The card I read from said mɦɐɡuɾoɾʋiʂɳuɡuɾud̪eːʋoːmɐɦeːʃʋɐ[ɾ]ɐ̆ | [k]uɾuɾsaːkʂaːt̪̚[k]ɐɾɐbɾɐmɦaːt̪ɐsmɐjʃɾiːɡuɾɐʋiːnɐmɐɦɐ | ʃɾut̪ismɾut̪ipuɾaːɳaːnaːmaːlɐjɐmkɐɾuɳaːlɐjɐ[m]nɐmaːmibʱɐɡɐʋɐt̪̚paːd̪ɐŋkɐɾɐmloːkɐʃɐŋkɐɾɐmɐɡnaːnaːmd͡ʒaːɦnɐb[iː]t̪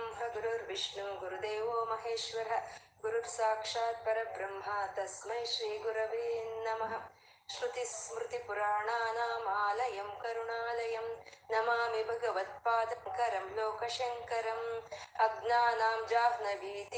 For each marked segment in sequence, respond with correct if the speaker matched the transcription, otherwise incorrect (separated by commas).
correct, incorrect, incorrect, correct, correct